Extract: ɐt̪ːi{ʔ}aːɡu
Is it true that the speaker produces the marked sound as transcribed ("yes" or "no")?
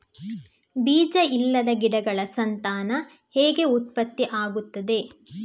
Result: yes